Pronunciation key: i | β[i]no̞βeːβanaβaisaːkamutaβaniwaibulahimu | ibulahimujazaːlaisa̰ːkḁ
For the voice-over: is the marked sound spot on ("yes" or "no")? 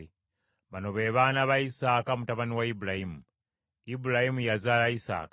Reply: no